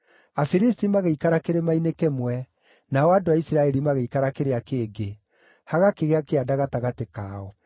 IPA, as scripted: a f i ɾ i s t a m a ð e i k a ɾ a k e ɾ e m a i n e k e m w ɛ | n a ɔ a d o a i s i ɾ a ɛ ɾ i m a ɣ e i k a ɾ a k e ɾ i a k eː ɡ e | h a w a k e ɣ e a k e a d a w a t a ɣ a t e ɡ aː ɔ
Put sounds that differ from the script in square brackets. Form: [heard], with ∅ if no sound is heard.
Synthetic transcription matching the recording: a f i ɾ i s t [i] m a [ɣ] e i k a ɾ a k e ɾ e m a i n e k e m w ɛ | n a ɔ a d o a i s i ɾ a ɛ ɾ i m a ɣ e i k a ɾ a k e ɾ [e] a k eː ɡ e | h a [ɣ] a k e ɣ e a k e a d a [ɣ] a t a ɣ a t e [k] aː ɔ